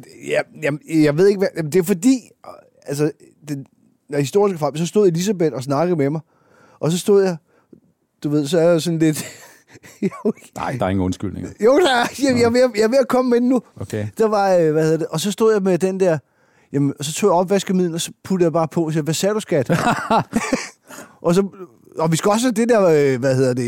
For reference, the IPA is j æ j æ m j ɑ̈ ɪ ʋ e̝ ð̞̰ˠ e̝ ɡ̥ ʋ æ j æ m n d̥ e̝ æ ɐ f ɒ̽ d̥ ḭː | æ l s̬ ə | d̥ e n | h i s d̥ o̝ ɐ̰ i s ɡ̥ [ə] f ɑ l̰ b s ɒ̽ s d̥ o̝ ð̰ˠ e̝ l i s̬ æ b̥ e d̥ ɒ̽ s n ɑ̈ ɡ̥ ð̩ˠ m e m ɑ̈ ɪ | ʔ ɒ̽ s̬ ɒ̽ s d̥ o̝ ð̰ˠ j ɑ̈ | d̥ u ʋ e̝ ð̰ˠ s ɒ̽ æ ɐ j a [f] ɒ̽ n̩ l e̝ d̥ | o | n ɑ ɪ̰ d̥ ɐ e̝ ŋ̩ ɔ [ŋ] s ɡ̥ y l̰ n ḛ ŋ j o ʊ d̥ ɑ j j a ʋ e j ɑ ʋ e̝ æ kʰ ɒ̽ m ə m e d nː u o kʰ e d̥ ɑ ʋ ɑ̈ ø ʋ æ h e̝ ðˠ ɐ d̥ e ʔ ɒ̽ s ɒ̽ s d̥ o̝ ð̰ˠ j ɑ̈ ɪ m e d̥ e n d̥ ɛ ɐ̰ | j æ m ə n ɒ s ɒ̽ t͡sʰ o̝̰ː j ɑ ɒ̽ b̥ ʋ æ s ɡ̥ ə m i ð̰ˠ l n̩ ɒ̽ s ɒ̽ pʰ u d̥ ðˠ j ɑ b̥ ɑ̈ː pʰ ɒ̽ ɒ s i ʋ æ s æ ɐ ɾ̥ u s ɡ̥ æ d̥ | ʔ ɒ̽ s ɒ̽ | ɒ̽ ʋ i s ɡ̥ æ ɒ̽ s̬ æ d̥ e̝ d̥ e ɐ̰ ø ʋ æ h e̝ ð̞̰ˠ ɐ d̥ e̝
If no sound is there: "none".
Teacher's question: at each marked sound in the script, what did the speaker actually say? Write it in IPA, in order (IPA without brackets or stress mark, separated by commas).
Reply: ə, s, n